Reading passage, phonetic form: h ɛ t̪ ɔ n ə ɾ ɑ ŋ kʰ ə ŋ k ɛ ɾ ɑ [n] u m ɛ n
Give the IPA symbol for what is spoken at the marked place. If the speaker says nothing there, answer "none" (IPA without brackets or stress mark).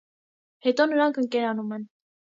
n